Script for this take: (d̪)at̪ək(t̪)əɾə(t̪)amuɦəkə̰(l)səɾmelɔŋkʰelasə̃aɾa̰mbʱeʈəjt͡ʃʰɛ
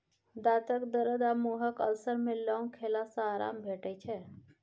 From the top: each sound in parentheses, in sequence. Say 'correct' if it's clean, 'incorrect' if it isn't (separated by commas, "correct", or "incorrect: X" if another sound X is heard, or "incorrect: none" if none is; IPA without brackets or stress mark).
correct, incorrect: d̪, incorrect: d̪, correct